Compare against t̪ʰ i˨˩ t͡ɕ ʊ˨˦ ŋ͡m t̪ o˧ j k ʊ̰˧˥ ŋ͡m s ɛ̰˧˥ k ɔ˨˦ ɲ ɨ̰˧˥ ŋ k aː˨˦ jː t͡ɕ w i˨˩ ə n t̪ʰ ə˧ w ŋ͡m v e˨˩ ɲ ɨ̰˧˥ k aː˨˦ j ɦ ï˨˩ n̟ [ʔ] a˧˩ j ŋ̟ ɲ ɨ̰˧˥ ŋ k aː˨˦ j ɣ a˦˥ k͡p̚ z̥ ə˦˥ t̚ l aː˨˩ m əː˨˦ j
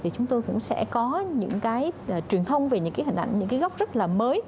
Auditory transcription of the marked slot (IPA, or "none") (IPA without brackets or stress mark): ʔ